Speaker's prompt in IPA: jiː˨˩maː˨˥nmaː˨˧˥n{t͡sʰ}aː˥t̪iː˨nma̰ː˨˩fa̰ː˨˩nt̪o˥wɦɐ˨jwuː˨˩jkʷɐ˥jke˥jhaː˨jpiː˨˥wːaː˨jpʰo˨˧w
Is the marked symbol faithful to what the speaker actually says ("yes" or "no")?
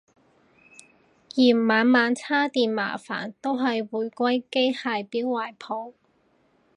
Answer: yes